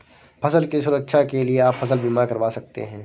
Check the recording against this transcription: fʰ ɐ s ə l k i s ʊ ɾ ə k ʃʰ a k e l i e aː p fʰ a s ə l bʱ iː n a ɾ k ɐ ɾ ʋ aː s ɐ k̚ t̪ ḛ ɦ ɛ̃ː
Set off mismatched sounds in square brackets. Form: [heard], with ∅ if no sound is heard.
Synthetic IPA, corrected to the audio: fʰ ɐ s ə l k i s ʊ ɾ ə k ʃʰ a k e l i e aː p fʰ [ɐ] s ə l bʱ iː [m] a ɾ k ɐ ɾ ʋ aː s ɐ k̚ t̪ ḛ ɦ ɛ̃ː